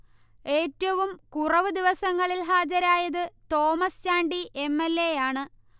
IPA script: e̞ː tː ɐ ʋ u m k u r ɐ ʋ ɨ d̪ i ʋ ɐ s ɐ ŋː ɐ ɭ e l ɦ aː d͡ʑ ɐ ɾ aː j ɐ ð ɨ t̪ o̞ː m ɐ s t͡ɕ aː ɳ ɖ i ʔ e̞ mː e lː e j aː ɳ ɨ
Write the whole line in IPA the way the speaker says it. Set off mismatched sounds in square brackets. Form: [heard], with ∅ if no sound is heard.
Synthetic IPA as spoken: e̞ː tː ɐ ʋ u m k u r ɐ ʋ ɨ d̪ i ʋ ɐ s ɐ ŋː ɐ ɭ [i] l ɦ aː d͡ʑ ɐ ɾ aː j ɐ ð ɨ t̪ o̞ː m ɐ s t͡ɕ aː ɳ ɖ i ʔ e̞ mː e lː e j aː ɳ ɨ